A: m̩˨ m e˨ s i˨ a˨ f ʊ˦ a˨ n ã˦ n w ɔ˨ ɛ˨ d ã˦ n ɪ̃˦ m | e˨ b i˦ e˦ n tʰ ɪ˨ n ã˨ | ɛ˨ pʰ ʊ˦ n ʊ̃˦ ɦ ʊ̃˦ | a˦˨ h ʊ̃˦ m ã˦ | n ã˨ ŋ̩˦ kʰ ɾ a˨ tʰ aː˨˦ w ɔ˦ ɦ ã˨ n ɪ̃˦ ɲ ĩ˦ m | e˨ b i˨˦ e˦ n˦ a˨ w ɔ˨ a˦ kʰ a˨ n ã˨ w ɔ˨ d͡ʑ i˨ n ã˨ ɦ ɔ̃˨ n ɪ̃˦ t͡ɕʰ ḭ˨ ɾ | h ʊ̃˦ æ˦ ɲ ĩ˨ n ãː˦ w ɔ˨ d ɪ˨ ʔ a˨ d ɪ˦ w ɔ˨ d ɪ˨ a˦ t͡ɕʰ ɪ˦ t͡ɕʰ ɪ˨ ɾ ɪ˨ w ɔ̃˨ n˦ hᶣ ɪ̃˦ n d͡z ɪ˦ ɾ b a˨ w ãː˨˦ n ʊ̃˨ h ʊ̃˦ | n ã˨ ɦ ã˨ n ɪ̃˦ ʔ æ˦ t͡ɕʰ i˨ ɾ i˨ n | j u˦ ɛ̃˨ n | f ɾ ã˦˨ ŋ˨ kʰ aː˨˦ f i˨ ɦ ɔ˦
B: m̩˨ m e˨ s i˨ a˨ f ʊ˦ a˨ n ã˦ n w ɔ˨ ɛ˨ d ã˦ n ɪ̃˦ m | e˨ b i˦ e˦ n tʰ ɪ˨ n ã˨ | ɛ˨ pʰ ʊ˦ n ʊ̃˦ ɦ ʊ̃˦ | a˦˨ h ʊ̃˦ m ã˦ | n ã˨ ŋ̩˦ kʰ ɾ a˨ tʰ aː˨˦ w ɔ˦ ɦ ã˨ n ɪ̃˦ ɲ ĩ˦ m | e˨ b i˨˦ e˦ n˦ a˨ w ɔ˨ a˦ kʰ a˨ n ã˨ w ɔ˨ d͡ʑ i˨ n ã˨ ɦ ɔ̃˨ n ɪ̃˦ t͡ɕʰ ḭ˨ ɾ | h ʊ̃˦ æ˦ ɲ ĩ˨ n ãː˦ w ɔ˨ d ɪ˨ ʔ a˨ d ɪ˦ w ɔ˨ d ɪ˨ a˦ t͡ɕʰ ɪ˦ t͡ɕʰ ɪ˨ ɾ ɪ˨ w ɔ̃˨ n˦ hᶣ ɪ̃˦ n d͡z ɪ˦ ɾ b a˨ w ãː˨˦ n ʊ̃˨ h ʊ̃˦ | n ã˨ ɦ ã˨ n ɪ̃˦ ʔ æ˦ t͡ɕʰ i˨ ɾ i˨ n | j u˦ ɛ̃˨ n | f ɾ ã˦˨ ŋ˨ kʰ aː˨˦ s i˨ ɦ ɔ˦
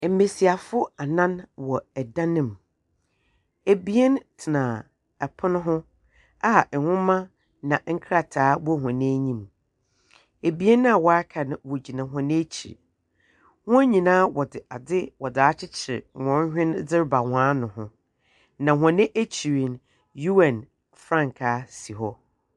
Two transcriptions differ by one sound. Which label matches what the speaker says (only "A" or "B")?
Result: B